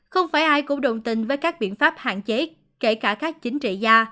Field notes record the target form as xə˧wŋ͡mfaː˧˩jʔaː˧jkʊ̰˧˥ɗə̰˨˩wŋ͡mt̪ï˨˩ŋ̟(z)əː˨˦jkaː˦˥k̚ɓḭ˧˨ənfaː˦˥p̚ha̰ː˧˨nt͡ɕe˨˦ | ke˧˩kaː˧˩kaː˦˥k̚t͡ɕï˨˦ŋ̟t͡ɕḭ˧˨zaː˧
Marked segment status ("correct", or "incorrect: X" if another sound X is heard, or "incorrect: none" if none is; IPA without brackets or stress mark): incorrect: v